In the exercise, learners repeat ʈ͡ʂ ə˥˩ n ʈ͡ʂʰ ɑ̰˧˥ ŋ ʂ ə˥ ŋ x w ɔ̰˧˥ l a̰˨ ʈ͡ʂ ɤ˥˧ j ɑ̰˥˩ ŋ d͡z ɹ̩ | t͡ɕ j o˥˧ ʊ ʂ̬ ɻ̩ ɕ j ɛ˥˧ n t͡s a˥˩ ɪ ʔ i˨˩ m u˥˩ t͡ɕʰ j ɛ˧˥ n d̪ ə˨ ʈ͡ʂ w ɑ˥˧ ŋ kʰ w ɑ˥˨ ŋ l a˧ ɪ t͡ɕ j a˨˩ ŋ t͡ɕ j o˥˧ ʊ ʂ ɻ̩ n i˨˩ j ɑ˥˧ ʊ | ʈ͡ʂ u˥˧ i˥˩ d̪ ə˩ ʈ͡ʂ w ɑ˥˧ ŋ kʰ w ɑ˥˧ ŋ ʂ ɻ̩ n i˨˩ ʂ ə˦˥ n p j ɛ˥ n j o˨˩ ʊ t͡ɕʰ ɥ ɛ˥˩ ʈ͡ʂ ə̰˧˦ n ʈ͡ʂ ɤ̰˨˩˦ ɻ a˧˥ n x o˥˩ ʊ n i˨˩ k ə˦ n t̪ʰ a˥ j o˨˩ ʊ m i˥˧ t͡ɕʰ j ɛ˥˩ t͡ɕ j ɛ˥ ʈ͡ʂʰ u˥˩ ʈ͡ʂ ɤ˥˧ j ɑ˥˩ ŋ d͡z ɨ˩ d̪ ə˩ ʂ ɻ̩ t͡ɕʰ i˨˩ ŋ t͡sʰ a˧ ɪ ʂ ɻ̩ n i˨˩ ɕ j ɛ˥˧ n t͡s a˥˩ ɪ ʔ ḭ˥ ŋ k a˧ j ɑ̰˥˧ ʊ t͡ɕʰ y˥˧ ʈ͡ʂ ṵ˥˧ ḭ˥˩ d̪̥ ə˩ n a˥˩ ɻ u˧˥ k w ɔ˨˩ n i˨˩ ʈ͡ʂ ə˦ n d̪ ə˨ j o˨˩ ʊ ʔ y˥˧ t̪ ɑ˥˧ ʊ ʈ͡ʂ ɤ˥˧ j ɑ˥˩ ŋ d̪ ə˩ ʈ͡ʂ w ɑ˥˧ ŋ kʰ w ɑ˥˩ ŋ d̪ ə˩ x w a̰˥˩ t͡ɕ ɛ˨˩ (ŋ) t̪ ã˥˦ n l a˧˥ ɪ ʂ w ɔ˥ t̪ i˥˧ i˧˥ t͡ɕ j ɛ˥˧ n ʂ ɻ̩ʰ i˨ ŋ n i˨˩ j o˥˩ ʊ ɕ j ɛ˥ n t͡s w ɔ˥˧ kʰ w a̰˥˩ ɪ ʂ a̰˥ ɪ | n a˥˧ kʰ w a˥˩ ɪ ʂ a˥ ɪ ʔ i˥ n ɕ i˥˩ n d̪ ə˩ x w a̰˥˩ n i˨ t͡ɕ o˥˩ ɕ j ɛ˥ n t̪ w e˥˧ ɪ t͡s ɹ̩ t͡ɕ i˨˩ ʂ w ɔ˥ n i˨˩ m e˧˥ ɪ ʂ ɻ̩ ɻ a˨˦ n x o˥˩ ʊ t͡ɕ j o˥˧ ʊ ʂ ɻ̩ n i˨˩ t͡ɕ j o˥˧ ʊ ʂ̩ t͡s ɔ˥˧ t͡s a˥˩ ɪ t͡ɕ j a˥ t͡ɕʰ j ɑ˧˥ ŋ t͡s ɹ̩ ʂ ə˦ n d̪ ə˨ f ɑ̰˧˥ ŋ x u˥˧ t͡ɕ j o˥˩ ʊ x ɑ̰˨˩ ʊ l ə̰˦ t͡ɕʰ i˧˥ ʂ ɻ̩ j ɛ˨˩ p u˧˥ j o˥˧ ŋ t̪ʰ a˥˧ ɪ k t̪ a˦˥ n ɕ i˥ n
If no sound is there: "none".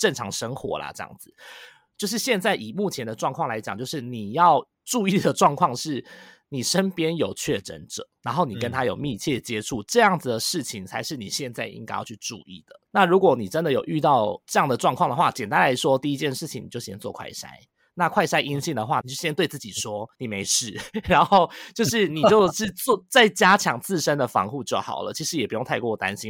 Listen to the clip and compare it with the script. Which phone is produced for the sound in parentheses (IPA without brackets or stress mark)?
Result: n